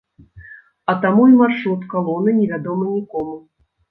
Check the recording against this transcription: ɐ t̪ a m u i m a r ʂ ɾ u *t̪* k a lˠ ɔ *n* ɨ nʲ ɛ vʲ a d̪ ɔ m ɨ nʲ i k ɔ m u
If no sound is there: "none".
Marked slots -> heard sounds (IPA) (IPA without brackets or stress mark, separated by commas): t̪, n